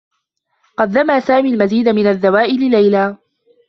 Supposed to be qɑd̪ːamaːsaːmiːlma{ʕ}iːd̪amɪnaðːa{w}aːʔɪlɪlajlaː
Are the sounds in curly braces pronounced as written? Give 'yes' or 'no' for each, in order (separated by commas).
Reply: no, yes